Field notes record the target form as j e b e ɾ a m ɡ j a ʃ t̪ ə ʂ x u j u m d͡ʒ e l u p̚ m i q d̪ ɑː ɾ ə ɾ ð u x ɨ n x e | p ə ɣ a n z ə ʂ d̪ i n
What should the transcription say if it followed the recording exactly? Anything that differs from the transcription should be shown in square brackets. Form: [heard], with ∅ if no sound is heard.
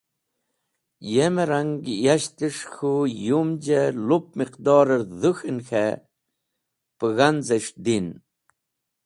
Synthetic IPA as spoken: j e [m] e ɾ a [ŋ] ɡ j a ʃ t̪ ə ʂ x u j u m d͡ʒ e l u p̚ m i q d̪ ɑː ɾ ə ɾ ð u x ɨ n x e | p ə ɣ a n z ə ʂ d̪ i n